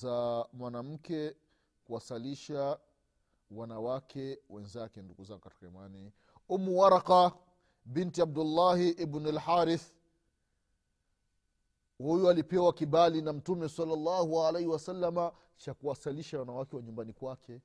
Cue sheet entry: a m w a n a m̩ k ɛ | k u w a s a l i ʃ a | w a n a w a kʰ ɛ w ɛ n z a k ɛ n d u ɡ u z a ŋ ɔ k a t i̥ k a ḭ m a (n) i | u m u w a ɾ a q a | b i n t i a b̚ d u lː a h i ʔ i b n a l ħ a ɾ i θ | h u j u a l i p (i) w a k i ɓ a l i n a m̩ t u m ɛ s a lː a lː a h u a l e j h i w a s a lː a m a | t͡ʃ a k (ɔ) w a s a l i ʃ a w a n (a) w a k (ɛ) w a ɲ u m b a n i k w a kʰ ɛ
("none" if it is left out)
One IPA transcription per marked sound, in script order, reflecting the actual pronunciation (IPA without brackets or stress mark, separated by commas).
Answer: n, ɛ, u, a, ɛ